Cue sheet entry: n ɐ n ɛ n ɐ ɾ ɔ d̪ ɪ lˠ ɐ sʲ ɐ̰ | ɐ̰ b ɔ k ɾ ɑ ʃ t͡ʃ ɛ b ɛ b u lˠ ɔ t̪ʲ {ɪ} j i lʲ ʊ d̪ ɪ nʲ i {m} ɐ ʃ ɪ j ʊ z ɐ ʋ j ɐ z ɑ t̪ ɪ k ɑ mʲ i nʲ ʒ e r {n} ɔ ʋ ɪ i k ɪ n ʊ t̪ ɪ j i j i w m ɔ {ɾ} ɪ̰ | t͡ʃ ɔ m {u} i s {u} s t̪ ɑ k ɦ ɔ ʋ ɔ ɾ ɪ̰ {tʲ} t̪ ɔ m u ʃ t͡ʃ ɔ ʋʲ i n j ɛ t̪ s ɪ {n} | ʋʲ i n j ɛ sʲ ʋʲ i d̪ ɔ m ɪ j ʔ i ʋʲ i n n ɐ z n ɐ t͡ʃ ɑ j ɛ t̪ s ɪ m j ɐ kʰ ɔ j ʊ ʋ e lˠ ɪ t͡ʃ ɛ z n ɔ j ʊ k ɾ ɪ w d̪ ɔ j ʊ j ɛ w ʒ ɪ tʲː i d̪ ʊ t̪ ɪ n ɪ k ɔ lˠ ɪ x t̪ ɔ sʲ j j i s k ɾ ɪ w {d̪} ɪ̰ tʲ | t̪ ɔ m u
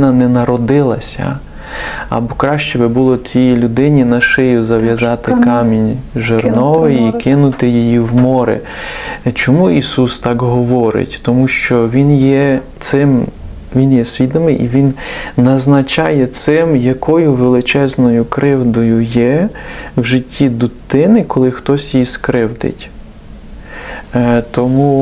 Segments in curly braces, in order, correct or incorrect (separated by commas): incorrect, incorrect, correct, correct, correct, correct, correct, incorrect, correct